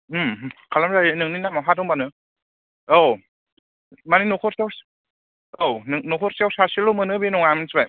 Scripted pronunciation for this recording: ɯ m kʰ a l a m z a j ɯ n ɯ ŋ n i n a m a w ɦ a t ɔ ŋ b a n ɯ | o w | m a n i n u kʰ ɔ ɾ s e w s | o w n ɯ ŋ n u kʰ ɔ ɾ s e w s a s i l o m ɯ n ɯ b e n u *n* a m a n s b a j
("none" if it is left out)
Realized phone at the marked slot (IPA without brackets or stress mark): ŋ